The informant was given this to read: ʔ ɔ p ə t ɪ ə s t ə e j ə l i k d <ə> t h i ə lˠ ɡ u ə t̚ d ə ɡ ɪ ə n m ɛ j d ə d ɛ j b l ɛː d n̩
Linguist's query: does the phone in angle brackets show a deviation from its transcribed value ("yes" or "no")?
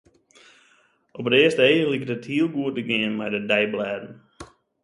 no